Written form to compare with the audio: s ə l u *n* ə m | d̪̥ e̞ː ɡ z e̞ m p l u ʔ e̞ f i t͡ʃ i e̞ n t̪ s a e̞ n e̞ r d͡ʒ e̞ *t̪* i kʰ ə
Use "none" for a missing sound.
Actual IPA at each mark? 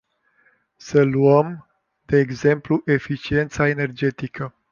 none, t̪

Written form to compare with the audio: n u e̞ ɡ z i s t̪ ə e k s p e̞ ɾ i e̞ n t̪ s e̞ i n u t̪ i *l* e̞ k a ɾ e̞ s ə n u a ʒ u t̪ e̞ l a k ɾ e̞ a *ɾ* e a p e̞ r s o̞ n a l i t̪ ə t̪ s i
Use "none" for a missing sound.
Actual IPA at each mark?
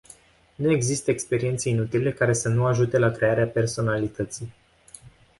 l, ɾ

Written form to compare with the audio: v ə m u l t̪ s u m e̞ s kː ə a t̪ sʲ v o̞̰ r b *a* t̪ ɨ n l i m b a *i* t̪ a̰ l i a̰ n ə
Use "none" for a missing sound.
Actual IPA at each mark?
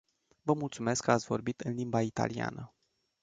i, i

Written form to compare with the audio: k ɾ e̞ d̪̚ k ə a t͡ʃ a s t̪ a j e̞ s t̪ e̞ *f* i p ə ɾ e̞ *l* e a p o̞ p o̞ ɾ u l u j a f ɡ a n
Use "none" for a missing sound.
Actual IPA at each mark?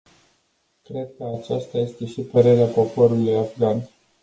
ʃ, ɾ

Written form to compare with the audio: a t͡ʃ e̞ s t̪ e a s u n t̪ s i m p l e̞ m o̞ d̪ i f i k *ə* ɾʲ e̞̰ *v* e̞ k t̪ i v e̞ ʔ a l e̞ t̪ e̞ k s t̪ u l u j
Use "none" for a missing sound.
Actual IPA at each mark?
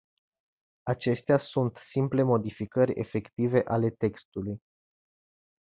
ə, f

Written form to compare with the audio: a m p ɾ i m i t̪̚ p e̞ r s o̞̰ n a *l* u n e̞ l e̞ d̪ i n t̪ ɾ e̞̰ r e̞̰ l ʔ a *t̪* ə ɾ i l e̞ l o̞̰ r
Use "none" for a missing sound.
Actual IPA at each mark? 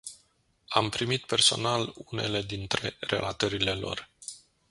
l, t̪

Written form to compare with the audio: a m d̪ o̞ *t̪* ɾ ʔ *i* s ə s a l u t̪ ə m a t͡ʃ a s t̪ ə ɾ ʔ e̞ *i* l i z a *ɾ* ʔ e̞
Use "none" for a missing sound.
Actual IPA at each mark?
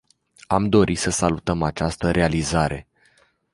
none, i, a, ɾ

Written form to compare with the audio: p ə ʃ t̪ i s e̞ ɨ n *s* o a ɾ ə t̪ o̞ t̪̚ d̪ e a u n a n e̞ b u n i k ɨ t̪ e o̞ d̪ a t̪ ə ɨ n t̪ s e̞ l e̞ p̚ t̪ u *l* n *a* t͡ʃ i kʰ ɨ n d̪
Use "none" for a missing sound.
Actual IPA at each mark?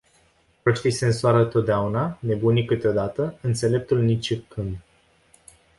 s, l, i

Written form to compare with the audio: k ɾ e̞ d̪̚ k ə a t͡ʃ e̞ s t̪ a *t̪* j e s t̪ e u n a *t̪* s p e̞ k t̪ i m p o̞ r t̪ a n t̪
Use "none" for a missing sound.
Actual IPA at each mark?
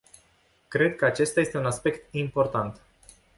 none, none

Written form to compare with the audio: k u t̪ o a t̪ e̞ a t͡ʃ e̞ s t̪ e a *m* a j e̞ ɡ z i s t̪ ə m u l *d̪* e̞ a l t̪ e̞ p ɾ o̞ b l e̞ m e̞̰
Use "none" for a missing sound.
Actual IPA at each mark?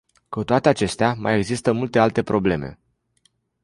m, t̪

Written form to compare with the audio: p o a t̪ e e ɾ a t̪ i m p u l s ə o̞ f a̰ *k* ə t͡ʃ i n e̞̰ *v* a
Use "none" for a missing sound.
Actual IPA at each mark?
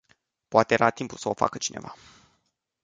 k, v

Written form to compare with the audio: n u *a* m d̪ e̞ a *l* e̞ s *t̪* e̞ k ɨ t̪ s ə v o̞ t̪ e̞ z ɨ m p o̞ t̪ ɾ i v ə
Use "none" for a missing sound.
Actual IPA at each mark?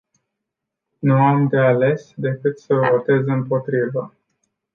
a, l, d̪

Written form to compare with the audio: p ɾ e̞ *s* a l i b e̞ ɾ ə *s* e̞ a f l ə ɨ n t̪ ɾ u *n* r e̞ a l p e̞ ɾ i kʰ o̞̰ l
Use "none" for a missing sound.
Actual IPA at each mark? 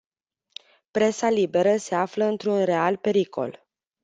s, s, n

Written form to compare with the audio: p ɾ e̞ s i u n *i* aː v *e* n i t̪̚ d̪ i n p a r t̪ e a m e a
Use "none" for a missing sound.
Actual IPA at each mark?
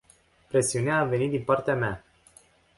e, e

